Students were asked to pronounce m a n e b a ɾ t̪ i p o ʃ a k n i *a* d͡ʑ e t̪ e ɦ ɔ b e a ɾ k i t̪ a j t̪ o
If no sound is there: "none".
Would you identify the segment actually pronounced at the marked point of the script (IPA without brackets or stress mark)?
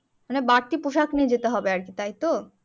e